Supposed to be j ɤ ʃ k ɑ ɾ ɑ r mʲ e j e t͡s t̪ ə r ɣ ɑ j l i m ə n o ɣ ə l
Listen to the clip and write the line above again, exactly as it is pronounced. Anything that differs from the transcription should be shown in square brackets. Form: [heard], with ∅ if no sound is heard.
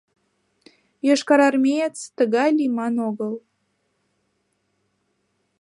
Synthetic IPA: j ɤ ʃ k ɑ ɾ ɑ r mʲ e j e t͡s t̪ ə [∅] ɣ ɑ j l i m [ɑ] n o ɣ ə l